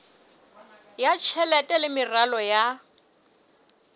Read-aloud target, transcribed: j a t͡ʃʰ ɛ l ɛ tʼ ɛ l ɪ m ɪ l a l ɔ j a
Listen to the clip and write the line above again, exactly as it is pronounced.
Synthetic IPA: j a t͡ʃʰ ɛ l ɛ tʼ ɛ l ɪ m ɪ r a l ɔ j a